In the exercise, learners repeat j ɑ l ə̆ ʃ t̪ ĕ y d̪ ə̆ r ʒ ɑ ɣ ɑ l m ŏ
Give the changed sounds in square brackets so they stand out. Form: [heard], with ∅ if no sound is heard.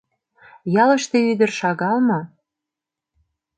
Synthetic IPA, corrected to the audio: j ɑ l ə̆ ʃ t̪ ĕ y d̪ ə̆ r [ʃ] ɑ ɣ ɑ l m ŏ

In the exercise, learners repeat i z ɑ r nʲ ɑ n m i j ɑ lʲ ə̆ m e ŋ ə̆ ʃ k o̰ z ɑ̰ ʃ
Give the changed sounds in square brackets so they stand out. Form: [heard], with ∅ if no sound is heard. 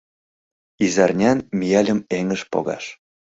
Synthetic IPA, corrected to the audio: i z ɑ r nʲ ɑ n m i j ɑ lʲ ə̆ m e ŋ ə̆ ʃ [p] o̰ [ɣ] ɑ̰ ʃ

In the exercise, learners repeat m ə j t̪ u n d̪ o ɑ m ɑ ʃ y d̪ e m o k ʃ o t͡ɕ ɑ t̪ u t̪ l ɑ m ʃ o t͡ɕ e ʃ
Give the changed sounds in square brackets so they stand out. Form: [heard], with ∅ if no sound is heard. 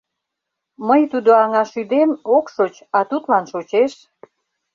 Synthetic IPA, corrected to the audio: m ə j t̪ u [∅] d̪ o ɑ [ŋ] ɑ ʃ y d̪ e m o k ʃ o t͡ɕ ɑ t̪ u t̪ l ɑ [n] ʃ o t͡ɕ e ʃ

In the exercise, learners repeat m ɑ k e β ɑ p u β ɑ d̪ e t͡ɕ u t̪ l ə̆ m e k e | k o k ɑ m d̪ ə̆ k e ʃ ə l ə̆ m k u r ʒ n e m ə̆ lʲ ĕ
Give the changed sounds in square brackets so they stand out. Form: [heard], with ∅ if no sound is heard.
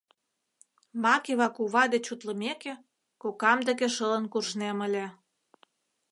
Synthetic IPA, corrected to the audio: m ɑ k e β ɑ [k] u β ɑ d̪ e t͡ɕ u t̪ l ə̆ m e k e | k o k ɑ m d̪ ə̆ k e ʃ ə l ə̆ [n] k u r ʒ n e m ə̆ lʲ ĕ

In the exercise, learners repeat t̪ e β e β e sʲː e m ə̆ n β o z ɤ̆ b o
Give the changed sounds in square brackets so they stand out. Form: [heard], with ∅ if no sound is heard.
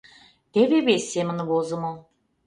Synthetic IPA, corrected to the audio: t̪ e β e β e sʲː e m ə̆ n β o z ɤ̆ [m] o

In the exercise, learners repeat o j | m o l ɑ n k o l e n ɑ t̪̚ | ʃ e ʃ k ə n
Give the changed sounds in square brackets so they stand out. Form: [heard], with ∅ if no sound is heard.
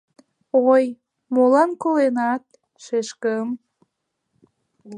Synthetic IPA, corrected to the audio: o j | m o l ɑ n k o l e n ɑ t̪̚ | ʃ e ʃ k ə [m]

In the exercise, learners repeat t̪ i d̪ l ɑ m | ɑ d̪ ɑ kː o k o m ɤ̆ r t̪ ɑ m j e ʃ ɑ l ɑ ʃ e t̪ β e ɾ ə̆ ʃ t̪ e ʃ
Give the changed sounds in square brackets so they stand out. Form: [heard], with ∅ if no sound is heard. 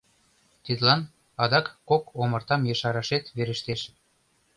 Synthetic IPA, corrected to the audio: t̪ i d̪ l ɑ [n] | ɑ d̪ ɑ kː o k o m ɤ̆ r t̪ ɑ m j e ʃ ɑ [ɾ] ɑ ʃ e t̪ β e ɾ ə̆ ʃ t̪ e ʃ

